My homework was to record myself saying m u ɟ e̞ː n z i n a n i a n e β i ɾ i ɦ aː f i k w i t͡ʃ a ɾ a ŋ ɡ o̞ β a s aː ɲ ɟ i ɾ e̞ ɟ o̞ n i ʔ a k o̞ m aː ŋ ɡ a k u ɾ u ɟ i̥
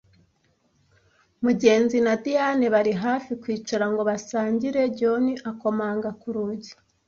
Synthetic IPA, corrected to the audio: m u ɟ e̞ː n z i n a d i a n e β a ɾ i ɦ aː f i k w iː t͡ʃ a ɾ a ŋ ɡ o̞ β a s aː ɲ ɟ i ɾ e̞ ɟ o̞ n i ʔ a k o̞ m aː ŋ ɡ a k u ɾ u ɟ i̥